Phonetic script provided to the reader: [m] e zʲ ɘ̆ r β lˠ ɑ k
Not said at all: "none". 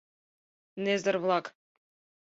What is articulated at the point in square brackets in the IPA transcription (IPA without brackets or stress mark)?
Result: n